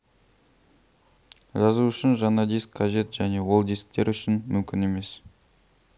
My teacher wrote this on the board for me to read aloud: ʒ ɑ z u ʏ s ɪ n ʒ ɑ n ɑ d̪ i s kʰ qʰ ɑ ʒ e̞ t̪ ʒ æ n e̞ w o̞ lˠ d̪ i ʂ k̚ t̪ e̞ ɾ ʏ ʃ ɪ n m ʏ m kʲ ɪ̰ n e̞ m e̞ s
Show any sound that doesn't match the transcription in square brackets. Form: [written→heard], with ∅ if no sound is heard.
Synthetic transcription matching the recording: ʒ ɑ z u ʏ [s→ʃ] ɪ n ʒ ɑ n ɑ d̪ i s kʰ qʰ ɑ ʒ e̞ t̪ ʒ æ n e̞ w o̞ lˠ d̪ i [ʂ→s] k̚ t̪ e̞ ɾ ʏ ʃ ɪ n m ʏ m kʲ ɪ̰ n e̞ m e̞ s